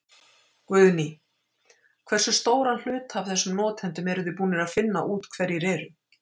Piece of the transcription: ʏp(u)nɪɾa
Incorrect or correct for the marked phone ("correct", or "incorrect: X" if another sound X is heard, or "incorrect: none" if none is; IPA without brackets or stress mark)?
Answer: incorrect: uː